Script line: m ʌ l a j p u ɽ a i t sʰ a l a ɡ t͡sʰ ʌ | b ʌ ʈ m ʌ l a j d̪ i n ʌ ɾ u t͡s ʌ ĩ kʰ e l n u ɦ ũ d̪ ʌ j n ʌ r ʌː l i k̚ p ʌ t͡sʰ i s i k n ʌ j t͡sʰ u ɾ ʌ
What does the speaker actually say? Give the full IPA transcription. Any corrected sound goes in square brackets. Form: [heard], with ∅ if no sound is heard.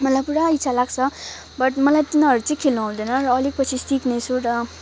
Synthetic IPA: m ʌ l a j p u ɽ a i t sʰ a l a ɡ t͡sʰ ʌ | b ʌ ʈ m ʌ l a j [t̪] i n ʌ ɾ u t͡s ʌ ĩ kʰ e l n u ɦ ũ d̪ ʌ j n ʌ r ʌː l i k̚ p ʌ t͡sʰ i s i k n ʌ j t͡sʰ u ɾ ʌ